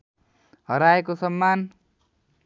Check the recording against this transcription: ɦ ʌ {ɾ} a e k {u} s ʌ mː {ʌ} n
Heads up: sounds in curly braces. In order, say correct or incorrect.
correct, incorrect, incorrect

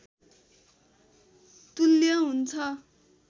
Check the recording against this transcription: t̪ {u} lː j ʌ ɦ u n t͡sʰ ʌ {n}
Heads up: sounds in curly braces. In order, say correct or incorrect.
correct, incorrect

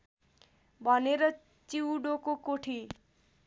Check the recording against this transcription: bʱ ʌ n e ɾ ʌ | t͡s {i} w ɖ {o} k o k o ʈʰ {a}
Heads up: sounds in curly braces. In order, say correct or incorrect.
correct, correct, incorrect

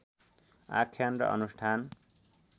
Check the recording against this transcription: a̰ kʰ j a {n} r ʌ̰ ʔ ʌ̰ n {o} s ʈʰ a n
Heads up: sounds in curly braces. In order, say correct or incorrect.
correct, incorrect

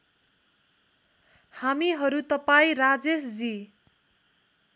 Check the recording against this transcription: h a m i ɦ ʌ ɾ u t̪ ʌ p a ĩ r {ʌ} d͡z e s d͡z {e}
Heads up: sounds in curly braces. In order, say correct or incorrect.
incorrect, incorrect

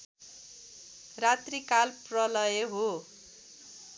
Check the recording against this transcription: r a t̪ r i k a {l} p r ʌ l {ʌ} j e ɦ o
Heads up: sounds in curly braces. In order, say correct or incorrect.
correct, correct

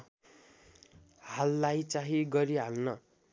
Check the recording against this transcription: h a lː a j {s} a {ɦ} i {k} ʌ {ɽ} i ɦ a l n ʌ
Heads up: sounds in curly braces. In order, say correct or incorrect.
incorrect, correct, incorrect, incorrect

